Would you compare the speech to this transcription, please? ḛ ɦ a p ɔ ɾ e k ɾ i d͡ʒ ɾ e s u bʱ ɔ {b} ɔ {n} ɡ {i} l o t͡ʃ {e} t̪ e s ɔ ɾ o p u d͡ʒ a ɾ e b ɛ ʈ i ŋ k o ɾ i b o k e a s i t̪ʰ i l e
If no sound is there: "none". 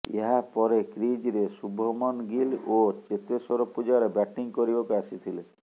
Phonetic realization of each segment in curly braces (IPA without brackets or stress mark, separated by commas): m, n, i, e